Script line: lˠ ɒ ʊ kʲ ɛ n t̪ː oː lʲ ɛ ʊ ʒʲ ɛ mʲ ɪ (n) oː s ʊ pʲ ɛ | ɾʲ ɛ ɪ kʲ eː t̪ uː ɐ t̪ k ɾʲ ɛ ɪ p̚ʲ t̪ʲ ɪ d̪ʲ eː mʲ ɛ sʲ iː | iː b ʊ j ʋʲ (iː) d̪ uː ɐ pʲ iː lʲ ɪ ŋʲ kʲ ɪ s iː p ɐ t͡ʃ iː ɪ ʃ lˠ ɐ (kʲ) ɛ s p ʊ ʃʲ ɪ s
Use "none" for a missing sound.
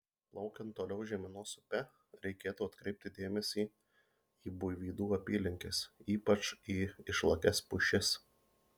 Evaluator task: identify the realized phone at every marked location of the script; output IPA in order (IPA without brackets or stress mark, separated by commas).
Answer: n, iː, kʲ